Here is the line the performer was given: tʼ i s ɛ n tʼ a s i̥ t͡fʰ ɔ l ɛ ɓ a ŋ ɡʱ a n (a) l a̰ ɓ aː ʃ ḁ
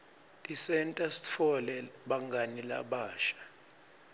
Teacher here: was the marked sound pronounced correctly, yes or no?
no